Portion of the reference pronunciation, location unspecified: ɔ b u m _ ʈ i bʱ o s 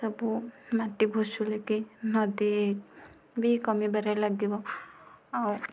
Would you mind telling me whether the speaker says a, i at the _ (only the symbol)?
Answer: a